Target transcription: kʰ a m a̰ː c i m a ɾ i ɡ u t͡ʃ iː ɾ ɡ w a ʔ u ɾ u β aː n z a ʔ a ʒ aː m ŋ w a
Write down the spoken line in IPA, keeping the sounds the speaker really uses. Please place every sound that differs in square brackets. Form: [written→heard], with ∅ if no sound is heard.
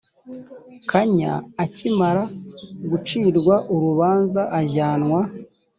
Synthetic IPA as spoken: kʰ a [m→ɲ] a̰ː c i m a ɾ [i→a] ɡ u t͡ʃ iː ɾ ɡ w a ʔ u ɾ u β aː n z a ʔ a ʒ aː [m→n] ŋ w a